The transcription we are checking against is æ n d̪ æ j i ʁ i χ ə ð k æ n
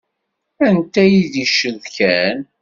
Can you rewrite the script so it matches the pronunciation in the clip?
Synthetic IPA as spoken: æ n t̪ æ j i ð i ʃ ə ð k æ n